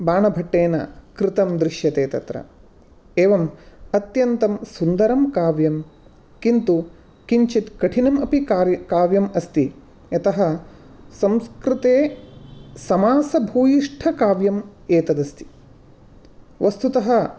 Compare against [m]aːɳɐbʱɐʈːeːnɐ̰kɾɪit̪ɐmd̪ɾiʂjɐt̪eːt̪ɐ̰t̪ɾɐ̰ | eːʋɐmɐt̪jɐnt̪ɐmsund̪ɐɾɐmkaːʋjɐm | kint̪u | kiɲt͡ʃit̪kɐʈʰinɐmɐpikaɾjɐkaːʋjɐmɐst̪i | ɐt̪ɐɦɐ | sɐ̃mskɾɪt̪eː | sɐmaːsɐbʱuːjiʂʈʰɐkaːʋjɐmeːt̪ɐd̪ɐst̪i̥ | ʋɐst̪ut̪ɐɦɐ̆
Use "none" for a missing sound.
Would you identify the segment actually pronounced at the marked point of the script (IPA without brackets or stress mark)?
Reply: b